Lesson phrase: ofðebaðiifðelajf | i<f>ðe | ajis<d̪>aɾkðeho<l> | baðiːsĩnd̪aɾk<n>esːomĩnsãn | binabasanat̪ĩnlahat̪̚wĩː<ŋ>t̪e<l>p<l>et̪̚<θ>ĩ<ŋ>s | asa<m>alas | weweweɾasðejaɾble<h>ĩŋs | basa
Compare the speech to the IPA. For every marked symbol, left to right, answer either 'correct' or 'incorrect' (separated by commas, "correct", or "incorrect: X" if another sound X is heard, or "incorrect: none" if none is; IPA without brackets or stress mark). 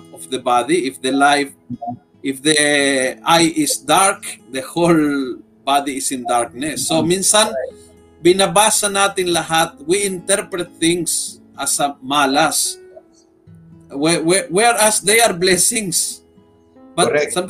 correct, correct, correct, correct, incorrect: n, incorrect: ɾ, incorrect: ɾ, correct, correct, correct, incorrect: s